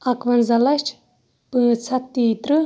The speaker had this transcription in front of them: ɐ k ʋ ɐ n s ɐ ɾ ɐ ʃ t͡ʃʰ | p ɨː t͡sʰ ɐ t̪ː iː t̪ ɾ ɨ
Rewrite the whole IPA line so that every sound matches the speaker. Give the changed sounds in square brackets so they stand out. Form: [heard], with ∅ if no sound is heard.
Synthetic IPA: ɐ k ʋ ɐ n [z] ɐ [l] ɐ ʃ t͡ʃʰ | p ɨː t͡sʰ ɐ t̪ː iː t̪ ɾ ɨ